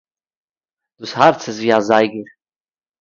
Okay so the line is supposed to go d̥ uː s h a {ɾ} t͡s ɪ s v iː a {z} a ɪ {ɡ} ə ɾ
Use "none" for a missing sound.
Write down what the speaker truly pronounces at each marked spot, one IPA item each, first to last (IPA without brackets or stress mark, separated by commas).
ɾ, z, ɡ